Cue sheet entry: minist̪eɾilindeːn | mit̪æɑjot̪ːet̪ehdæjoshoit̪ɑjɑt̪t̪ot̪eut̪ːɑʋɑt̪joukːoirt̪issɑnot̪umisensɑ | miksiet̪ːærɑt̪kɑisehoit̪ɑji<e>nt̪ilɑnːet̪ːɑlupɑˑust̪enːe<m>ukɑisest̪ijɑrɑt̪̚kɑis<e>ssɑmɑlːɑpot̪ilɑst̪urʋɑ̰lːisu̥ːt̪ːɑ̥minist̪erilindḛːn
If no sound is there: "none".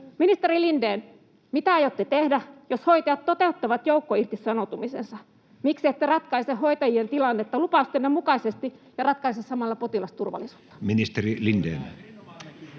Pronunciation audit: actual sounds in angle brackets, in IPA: e, m, e

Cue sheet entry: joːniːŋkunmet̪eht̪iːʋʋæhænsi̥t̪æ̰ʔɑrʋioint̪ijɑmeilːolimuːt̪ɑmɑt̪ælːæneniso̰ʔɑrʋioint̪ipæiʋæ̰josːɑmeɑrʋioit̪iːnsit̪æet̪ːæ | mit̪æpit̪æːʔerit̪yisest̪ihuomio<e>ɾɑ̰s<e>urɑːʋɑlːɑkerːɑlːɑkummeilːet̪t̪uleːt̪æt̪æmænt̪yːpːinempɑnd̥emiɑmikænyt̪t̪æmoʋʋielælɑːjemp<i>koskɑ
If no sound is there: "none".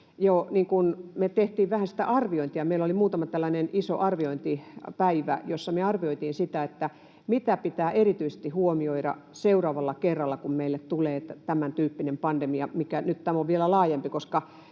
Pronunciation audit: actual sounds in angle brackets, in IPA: i, e, i

